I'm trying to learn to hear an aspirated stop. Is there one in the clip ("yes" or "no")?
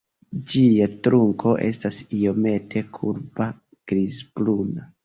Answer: yes